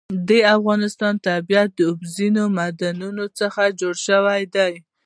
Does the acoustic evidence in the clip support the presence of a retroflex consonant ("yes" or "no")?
yes